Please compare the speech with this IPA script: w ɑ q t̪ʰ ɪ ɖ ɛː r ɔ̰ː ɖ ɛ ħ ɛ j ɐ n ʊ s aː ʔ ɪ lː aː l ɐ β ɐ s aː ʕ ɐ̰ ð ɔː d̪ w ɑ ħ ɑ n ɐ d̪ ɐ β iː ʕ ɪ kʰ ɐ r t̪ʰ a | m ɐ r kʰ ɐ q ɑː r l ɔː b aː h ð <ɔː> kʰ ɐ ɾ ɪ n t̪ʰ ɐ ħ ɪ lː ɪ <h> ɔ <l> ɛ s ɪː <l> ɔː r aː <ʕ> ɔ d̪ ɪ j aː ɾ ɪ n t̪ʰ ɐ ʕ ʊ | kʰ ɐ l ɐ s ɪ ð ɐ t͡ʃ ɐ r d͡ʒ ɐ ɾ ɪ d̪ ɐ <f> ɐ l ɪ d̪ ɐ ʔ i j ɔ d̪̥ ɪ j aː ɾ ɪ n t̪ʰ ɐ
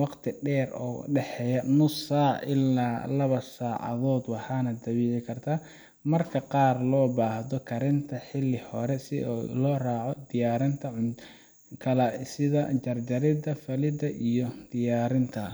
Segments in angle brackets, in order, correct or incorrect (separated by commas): incorrect, correct, incorrect, correct, correct, correct